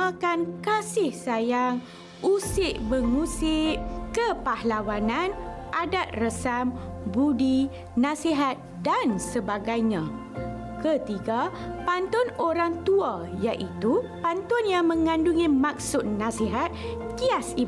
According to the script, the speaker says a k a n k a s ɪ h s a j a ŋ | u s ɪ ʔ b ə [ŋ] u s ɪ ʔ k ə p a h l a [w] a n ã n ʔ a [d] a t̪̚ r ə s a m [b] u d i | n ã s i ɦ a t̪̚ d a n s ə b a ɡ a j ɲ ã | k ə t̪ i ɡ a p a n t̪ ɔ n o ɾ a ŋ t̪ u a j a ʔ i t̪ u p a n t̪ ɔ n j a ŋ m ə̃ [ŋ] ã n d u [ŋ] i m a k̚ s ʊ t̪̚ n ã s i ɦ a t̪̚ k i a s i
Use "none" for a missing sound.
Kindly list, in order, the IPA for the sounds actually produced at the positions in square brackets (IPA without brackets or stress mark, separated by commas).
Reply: ŋ, w, d, b, ŋ, ŋ